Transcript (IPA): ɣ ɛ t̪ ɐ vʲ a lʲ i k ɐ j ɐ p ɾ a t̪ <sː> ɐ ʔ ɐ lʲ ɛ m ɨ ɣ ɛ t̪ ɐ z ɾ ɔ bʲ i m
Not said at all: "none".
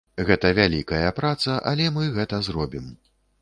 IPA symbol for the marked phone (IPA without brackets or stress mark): s